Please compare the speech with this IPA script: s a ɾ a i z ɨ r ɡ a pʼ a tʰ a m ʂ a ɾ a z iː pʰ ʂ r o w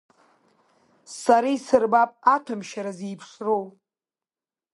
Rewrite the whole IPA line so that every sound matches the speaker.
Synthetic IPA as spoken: s a ɾ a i s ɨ r b a pʼ a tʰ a m ʃ a ɾ a z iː pʰ ʂ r o w